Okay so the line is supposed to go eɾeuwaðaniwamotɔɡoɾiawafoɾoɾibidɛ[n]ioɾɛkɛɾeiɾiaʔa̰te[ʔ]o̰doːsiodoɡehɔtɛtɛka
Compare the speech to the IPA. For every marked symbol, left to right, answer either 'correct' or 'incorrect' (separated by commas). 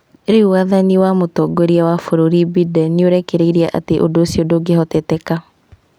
correct, correct